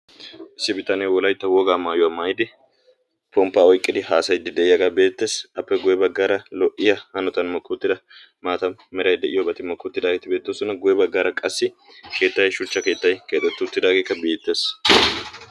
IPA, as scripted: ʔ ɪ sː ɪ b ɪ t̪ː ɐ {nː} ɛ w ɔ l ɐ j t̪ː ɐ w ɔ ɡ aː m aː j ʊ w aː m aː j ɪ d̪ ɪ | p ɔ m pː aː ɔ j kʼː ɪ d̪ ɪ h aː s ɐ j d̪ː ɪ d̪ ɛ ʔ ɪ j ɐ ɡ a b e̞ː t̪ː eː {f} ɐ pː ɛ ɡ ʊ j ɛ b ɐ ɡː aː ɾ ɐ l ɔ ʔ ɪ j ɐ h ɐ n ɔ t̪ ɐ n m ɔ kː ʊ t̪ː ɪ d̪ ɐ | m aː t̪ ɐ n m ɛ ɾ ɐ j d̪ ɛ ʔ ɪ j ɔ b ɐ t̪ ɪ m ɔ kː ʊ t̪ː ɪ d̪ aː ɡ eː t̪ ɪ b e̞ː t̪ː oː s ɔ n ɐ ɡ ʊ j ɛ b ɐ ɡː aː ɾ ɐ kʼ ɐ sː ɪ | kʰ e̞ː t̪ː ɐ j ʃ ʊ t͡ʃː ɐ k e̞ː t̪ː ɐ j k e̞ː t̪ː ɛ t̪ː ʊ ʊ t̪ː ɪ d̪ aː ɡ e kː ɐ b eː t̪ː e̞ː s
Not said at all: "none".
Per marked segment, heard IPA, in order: n, s

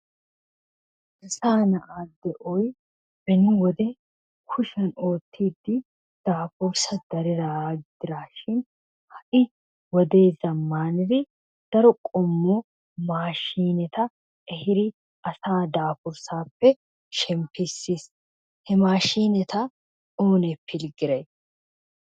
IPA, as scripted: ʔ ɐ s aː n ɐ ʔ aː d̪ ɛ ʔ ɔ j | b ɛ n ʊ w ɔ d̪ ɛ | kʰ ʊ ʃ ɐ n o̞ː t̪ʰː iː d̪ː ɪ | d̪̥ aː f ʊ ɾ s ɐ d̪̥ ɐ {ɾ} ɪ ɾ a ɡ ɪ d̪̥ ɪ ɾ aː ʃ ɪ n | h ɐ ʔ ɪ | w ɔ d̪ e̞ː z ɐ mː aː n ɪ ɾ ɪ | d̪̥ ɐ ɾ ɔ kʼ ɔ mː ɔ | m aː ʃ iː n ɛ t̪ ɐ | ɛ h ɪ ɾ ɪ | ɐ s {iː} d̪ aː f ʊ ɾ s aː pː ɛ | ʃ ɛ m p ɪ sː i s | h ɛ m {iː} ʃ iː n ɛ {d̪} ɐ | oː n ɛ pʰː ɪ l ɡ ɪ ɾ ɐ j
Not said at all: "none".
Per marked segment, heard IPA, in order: ɾ, aː, aː, t̪

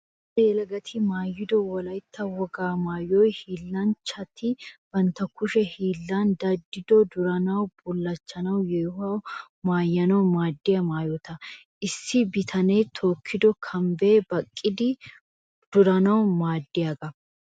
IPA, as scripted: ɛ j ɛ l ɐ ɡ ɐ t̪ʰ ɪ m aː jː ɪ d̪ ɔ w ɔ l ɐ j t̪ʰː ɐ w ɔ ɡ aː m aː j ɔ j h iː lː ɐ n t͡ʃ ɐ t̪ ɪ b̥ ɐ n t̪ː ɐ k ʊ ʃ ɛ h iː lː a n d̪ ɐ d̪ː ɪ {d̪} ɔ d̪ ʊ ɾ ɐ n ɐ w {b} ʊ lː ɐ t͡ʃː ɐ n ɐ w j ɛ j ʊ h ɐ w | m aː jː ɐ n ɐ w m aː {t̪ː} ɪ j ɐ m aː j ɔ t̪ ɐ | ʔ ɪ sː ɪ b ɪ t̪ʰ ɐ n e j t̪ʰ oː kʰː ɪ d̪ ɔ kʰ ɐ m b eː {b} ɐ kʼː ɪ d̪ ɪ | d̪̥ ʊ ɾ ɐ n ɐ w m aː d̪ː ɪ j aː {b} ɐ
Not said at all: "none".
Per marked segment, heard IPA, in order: d̪, b, d̪ː, b, ɡ

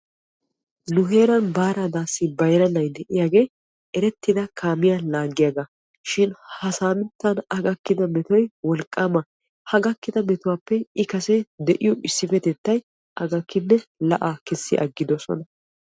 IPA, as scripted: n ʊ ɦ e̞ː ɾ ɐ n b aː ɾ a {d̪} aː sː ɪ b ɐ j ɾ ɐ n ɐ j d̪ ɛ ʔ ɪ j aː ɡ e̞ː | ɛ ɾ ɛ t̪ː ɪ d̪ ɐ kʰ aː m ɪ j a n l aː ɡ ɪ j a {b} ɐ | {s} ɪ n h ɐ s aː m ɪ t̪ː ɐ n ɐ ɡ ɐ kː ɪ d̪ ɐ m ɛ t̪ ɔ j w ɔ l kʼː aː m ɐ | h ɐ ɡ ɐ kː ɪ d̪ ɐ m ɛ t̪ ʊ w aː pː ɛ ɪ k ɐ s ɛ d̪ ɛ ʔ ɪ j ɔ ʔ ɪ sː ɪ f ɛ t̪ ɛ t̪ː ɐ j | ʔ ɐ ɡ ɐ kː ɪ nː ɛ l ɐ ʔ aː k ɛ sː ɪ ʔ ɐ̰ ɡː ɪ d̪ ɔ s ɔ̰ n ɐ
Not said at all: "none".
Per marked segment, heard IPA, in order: d̪, ɡ, ʃ

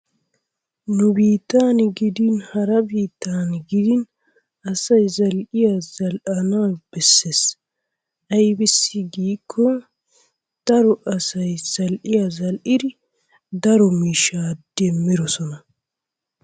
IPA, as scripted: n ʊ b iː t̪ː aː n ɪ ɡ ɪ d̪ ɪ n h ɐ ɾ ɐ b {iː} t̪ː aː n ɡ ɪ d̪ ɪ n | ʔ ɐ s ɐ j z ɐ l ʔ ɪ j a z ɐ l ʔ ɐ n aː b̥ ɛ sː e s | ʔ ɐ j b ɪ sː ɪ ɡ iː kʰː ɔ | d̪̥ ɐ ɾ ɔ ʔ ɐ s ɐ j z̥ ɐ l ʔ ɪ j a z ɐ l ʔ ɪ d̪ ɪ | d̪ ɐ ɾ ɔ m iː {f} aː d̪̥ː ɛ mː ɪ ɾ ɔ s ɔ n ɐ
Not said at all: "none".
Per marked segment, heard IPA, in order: iː, ʃ

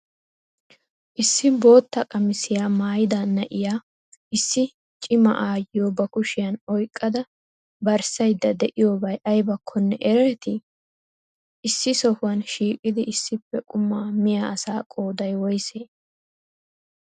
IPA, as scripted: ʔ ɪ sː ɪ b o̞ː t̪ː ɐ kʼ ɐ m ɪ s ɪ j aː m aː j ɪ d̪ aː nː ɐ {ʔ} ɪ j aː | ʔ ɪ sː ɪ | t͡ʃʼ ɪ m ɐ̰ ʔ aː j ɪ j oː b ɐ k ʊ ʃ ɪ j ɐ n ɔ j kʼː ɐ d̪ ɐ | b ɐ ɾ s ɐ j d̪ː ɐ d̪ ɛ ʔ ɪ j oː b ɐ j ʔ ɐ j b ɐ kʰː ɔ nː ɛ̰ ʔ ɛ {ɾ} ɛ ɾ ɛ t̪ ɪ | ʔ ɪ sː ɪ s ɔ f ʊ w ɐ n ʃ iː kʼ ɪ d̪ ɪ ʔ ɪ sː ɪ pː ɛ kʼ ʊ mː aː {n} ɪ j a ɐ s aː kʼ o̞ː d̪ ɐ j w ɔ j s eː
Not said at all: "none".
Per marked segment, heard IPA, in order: ʔ, ɾ, m

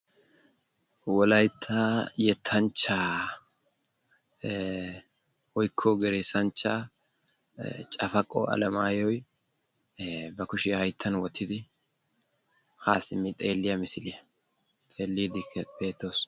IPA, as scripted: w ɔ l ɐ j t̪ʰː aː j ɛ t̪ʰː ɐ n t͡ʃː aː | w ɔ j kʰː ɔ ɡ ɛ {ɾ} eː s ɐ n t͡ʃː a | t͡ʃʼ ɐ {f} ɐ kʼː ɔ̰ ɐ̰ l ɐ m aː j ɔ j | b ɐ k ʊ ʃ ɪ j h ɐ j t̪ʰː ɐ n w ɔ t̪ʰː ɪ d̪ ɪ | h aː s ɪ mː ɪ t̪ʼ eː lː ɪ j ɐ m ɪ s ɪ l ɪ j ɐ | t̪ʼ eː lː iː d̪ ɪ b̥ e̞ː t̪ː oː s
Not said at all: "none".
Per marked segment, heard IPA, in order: ɾ, f

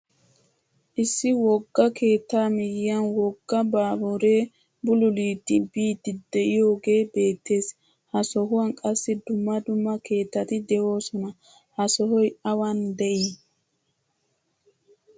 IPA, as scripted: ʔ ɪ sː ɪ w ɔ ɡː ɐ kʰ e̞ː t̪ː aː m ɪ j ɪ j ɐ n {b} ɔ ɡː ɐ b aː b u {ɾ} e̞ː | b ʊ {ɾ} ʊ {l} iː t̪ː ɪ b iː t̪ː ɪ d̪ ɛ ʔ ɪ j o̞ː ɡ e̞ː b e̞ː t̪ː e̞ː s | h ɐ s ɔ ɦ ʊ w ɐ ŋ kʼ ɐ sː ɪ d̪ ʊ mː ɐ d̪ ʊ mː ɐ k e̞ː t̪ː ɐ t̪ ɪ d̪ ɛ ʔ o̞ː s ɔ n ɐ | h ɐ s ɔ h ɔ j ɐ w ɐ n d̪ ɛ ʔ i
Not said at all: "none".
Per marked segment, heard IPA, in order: w, ɾ, l, l

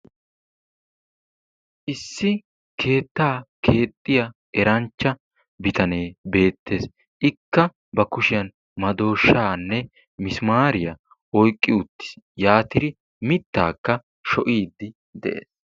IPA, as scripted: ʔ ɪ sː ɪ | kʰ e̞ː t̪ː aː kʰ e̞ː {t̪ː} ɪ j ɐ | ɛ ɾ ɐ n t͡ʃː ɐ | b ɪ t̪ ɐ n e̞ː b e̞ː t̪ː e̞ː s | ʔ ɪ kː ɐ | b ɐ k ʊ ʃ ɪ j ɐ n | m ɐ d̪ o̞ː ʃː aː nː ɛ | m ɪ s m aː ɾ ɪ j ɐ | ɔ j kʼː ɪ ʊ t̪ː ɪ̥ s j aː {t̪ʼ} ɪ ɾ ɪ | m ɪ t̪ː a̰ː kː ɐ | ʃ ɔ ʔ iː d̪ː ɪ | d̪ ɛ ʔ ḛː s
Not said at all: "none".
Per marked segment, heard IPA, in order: t̪ʼː, t̪

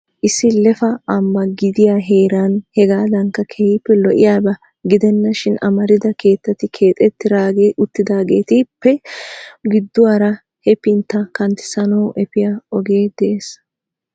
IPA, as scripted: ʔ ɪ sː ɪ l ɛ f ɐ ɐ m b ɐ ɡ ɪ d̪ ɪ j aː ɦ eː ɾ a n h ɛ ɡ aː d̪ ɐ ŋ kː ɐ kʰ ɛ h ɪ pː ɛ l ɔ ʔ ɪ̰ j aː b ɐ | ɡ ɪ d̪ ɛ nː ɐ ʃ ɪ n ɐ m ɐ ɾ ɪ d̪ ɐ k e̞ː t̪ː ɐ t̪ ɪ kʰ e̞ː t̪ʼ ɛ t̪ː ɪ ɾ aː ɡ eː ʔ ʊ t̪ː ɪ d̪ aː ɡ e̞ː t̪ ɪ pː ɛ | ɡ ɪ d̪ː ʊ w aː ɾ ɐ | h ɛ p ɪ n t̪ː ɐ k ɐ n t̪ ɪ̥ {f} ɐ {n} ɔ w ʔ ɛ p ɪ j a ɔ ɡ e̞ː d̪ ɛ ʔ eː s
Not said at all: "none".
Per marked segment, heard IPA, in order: s, n

